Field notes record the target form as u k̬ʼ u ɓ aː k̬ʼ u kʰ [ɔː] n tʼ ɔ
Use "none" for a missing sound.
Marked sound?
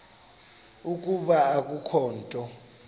ɔː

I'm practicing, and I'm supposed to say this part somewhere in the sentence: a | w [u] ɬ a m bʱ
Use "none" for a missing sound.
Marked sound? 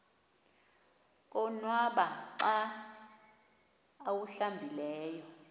u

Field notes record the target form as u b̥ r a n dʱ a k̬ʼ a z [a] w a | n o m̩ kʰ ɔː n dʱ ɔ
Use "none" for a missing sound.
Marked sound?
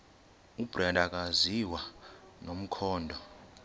i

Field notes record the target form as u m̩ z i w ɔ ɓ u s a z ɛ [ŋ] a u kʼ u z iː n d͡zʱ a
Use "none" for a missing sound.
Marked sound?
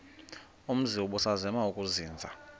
m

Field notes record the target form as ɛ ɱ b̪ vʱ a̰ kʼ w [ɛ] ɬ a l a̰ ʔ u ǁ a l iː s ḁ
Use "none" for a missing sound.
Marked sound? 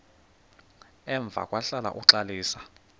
a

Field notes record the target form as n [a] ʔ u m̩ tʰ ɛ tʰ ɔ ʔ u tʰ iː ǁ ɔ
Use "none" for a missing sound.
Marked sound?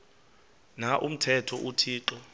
a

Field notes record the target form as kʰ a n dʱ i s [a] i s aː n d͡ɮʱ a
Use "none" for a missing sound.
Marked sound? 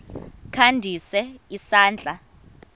ɛ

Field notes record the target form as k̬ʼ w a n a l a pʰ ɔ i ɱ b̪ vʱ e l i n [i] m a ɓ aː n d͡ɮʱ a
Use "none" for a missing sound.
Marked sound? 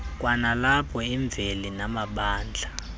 a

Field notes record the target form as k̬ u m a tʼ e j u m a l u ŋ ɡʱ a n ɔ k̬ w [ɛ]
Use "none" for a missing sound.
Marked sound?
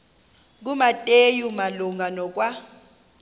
a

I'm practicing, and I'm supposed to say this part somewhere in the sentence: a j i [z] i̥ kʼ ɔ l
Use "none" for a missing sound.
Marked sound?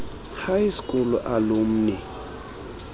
s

